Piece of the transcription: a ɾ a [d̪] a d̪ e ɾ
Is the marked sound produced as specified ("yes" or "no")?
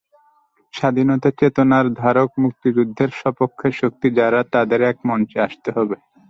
no